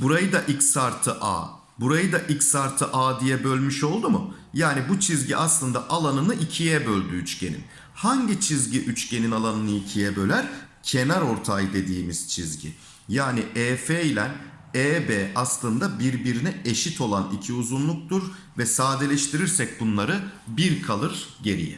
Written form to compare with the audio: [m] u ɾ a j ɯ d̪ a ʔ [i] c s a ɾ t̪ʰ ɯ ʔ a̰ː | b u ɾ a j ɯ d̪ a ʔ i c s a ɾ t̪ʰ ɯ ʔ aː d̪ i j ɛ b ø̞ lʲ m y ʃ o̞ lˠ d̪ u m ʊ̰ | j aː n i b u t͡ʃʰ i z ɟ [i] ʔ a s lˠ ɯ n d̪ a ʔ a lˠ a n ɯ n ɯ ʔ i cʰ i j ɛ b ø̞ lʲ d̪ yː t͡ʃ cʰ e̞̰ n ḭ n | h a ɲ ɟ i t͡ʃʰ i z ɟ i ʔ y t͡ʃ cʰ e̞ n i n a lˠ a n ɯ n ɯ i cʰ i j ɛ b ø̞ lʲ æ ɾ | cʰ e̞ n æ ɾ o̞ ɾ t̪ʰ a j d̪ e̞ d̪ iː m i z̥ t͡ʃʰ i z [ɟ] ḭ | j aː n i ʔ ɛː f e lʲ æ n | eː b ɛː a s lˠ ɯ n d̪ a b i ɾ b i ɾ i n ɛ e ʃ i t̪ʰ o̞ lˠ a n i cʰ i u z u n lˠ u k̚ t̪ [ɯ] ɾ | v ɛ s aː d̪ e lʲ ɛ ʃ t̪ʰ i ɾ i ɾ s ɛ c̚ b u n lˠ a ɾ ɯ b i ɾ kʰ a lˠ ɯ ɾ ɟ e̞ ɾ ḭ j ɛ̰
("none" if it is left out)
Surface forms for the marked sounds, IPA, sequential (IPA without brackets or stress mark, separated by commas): b, i, i, ɟ, u